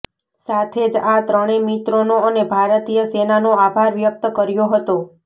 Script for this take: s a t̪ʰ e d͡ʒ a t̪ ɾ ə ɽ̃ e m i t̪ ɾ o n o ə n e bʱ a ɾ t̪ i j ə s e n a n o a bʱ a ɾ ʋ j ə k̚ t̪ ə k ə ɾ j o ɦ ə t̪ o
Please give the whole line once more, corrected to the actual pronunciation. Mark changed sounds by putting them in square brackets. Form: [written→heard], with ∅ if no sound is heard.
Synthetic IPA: s a t̪ʰ e d͡ʒ a t̪ ɾ ə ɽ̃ e m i t̪ ɾ o n o ə n e bʱ a ɾ t̪ i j ə s e n a n o a bʱ a ɾ ʋ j ə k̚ t̪ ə k ə ɾ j o ɦ ə t̪ o